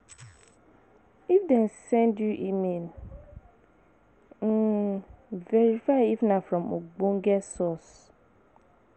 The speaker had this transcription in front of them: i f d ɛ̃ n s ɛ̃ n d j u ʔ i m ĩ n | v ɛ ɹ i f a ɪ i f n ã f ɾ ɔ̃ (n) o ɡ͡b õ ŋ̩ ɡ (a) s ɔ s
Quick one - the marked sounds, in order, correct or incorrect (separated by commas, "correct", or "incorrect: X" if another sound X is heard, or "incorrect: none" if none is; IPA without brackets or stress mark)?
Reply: incorrect: m, incorrect: ɛ